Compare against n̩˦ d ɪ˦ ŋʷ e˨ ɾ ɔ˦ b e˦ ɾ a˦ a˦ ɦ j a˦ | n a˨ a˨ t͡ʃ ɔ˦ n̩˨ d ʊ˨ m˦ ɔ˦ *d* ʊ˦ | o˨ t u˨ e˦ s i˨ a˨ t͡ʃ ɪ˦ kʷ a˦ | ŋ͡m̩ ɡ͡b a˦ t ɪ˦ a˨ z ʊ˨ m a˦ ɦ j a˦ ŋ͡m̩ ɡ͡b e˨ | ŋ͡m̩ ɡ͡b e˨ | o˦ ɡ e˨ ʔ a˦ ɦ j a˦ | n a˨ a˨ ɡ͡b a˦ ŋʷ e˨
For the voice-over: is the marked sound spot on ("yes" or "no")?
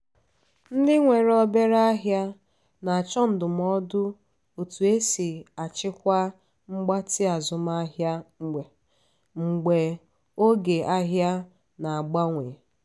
yes